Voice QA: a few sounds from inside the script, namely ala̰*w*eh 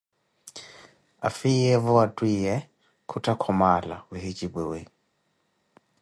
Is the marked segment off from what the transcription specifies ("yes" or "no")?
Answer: no